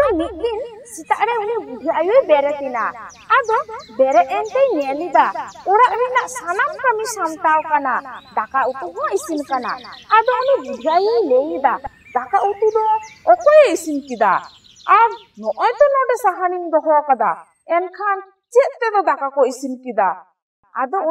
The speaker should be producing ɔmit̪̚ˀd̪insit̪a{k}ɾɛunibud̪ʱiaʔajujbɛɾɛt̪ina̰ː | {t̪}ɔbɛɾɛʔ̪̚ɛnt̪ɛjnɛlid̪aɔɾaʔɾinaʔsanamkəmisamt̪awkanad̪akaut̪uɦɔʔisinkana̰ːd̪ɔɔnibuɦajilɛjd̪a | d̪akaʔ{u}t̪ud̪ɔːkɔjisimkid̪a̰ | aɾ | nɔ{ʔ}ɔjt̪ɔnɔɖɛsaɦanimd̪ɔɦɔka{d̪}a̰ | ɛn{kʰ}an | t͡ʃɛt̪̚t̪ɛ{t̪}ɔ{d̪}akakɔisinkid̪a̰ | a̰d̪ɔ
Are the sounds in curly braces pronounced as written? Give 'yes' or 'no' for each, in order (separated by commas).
no, no, yes, yes, yes, yes, no, yes